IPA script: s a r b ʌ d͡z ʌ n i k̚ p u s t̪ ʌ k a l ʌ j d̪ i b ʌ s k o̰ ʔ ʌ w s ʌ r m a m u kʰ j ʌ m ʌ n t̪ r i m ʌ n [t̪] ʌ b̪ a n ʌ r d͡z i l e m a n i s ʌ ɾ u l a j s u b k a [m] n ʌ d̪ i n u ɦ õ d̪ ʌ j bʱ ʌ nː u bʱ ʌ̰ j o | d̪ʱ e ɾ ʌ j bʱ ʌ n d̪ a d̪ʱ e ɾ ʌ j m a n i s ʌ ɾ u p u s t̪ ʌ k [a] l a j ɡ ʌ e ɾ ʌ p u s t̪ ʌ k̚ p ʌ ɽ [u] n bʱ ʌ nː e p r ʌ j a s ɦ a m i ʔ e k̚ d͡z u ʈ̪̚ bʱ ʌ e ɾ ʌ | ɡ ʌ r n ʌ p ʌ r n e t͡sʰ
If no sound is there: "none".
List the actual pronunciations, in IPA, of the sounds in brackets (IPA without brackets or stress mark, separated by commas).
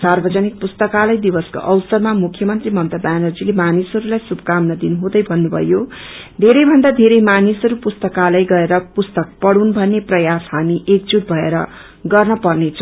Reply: t̪, m, a, u